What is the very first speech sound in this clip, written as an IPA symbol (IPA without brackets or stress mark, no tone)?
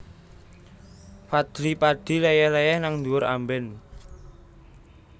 f